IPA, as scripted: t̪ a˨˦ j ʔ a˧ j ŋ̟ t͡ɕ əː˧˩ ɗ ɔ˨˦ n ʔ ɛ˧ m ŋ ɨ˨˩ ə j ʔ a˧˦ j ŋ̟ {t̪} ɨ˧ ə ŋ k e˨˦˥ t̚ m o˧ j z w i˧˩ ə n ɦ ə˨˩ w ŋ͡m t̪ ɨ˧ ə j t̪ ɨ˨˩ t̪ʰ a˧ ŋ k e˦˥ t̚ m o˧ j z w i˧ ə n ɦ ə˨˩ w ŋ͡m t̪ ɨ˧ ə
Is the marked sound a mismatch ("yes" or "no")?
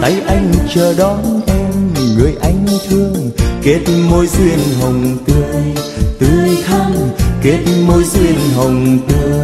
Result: yes